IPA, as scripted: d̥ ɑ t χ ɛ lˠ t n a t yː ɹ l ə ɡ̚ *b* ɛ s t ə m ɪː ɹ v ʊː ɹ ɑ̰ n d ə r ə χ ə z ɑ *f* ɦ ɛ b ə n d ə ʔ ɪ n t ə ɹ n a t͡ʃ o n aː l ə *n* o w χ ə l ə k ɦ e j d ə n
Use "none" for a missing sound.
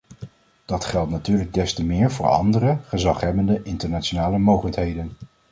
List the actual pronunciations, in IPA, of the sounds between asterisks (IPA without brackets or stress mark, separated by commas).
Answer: d, χ, m